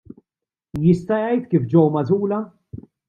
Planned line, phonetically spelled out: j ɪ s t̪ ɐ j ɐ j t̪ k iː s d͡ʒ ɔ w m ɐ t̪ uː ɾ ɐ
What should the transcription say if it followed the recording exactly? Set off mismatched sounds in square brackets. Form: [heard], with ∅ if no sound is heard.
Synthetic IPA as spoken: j ɪ s t̪ ɐ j ɐ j t̪ k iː [f] d͡ʒ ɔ w m ɐ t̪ uː [l] ɐ

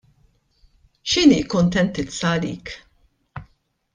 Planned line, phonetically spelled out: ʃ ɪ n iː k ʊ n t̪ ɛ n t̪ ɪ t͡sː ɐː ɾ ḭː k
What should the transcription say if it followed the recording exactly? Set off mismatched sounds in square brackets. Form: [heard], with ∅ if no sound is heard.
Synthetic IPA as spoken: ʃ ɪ n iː k ʊ n t̪ ɛ n t̪ ɪ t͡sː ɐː [l] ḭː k

